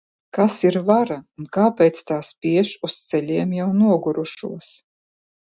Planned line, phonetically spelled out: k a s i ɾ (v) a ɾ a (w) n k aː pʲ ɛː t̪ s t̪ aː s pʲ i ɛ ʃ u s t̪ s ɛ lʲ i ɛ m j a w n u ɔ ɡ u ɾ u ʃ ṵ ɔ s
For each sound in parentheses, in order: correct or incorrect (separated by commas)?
correct, incorrect